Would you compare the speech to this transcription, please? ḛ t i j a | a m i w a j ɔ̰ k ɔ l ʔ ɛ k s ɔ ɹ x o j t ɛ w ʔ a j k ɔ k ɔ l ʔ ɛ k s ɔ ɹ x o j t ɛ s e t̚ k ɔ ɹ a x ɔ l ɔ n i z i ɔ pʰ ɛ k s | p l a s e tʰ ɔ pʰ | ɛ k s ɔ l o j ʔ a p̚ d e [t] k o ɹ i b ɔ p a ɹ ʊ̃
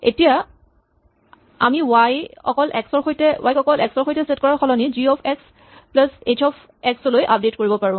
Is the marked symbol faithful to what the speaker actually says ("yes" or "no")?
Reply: yes